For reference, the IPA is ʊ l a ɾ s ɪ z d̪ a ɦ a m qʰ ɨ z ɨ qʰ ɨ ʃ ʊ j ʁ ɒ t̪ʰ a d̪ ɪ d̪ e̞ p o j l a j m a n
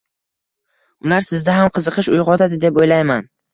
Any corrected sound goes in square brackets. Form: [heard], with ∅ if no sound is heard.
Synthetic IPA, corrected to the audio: ʊ l a ɾ s ɪ z d̪ a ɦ a m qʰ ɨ z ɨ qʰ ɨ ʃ ʊ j ʁ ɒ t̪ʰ a d̪ ɪ d̪ e̞ p o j l a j m a n